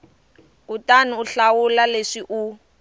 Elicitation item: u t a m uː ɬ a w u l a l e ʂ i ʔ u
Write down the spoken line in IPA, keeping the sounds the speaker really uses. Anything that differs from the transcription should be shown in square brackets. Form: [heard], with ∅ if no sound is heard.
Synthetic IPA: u t a [n] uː ɬ a w u l a l e ʂ i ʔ u